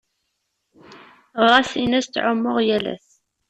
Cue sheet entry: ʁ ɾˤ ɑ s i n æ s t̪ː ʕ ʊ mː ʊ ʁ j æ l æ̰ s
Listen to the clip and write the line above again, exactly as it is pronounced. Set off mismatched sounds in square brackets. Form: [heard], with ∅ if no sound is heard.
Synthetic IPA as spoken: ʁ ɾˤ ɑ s i n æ s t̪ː ʕ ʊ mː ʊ ʁ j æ l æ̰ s